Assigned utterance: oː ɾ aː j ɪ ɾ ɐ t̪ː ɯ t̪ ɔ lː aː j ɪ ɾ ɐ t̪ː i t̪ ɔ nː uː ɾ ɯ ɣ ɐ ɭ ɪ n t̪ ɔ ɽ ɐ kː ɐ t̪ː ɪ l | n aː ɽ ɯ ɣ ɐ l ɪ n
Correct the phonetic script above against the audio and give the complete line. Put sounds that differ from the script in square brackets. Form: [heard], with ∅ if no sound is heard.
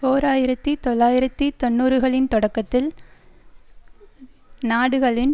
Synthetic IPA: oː ɾ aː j ɪ ɾ ɐ t̪ː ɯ t̪ ɔ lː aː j ɪ ɾ ɐ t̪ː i t̪ ɔ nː uː ɾ ɯ ɣ ɐ ɭ ɪ n t̪ ɔ ɽ ɐ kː ɐ t̪ː ɪ l | n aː ɽ ɯ ɣ ɐ [ɭ] ɪ n